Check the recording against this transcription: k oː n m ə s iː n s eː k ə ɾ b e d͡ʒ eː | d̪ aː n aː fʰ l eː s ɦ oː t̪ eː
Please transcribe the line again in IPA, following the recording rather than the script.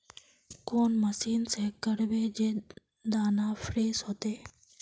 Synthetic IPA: k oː n m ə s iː n s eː k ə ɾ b e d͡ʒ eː | d̪ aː n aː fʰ ɾ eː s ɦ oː t̪ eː